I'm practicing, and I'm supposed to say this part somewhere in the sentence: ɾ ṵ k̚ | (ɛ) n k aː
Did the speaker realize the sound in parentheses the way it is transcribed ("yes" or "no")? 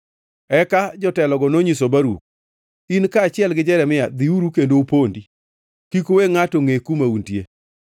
no